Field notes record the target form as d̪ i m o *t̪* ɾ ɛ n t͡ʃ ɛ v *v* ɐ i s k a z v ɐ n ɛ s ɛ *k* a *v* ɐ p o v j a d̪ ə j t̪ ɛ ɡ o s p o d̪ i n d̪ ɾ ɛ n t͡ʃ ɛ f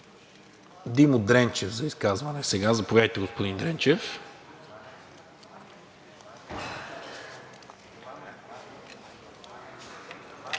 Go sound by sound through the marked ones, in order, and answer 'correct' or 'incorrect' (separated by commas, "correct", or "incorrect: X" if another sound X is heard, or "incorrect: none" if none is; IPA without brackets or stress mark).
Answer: incorrect: d̪, incorrect: z, incorrect: ɡ, incorrect: z